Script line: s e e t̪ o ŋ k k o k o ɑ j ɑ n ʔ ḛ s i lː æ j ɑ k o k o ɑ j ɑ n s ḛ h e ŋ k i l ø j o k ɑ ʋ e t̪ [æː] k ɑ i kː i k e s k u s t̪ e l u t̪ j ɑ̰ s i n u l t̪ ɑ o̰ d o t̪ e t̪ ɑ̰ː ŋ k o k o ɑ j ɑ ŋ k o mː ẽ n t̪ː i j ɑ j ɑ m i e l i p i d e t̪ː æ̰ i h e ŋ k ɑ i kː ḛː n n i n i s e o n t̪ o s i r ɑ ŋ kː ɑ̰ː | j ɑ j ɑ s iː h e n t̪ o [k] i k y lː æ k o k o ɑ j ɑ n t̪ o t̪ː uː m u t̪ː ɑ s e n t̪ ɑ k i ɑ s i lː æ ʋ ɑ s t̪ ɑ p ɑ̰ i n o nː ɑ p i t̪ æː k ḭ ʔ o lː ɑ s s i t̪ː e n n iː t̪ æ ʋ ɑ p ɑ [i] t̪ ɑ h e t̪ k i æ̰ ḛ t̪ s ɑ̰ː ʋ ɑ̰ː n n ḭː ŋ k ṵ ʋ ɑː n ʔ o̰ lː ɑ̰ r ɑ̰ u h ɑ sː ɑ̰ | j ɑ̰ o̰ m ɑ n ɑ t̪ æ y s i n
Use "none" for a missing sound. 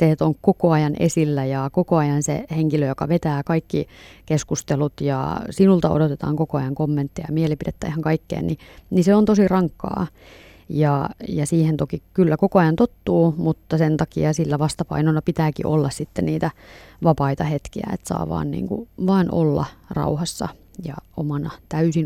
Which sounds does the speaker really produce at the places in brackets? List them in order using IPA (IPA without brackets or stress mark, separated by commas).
æː, k, i